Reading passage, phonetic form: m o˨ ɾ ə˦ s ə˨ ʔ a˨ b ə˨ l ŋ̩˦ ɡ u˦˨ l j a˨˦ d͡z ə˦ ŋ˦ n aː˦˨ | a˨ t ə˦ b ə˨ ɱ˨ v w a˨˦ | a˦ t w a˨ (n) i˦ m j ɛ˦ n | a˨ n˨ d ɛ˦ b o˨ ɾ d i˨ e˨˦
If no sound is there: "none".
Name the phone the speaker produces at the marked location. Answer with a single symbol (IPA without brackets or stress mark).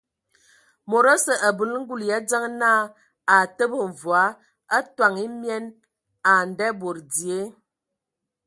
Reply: ŋ